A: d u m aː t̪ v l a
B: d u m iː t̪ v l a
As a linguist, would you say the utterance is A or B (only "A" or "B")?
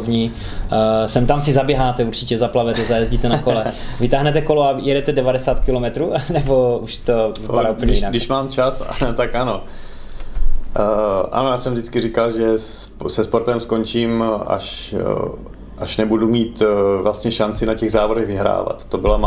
B